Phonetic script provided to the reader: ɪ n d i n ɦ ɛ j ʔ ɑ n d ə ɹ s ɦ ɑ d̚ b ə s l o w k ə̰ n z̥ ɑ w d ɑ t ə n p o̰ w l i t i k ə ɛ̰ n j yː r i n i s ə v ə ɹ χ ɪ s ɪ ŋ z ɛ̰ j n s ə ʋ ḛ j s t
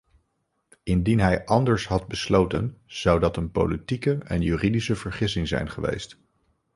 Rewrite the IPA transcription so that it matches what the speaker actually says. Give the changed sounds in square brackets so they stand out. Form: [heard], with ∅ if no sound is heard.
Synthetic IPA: ɪ n d i n ɦ ɛ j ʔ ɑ n d ə ɹ s ɦ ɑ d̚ b ə s l o w [t] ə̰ n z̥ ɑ w d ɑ t ə n p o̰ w l i t i k ə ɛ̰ n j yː r i [d] i s ə v ə ɹ χ ɪ s ɪ ŋ z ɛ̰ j n [χ] ə ʋ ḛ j s t